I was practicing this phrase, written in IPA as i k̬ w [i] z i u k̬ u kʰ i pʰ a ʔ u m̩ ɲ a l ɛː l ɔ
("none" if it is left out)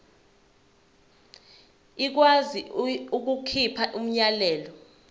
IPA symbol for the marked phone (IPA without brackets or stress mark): a